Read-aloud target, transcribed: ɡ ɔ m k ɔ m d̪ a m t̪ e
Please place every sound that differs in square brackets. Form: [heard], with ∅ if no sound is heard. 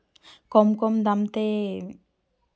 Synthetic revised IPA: [k] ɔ m k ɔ m d̪ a m t̪ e